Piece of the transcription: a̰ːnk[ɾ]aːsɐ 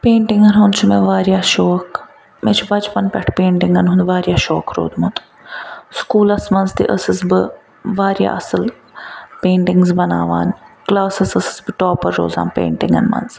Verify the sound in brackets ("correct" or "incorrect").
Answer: incorrect